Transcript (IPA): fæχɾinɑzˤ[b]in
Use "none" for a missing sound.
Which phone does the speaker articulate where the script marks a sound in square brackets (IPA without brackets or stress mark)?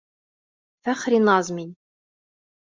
m